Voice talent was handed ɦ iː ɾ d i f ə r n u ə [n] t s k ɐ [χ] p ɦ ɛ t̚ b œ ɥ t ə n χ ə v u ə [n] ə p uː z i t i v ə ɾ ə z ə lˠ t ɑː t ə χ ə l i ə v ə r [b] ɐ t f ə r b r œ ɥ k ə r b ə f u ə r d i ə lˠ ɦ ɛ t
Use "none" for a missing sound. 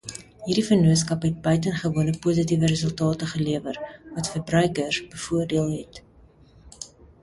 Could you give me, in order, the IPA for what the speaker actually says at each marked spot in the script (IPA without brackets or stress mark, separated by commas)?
none, none, n, v